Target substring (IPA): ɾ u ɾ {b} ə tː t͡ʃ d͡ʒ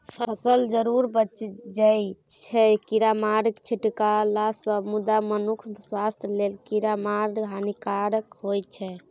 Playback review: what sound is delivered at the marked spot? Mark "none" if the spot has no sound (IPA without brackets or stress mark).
b